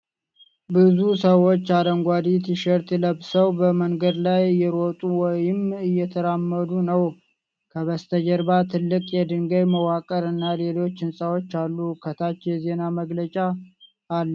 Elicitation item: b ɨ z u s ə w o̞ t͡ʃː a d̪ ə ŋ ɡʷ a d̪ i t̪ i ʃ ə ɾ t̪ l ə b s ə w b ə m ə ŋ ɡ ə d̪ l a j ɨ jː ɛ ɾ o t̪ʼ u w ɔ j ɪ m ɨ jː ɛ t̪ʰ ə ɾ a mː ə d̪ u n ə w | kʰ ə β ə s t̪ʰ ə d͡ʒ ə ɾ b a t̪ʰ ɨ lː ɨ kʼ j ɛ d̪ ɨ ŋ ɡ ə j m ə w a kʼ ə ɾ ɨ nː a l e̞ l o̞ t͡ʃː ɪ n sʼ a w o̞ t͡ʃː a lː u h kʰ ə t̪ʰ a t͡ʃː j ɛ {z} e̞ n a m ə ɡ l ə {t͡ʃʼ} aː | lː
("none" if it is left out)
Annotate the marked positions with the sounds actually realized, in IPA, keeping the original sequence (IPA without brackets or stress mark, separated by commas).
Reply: z, t͡ʃʼ